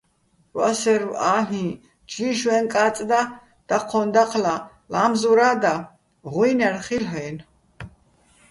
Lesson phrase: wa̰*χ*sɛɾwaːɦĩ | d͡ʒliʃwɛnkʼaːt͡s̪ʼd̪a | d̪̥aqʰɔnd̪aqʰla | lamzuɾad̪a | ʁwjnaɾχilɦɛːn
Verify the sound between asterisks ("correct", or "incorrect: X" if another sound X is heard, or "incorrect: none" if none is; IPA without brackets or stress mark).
incorrect: none